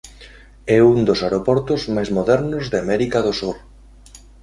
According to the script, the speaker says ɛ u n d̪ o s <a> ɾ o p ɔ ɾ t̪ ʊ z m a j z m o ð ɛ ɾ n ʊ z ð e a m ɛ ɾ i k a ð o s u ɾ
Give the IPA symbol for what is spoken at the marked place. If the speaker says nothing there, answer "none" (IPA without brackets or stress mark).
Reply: a